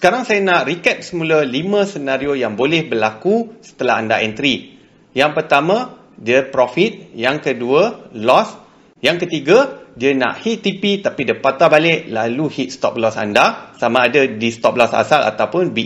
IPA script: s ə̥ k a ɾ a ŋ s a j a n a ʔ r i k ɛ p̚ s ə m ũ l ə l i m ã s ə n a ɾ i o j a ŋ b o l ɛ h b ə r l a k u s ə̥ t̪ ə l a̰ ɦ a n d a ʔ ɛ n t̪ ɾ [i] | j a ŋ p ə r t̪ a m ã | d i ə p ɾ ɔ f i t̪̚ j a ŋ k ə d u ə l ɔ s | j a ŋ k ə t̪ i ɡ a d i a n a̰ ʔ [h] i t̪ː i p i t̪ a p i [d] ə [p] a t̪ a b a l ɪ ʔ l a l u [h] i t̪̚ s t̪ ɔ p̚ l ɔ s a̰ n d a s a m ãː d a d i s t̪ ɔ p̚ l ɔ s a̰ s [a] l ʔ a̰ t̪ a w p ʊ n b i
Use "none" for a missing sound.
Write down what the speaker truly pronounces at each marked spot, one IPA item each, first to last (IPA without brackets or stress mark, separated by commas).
i, h, d, p, h, a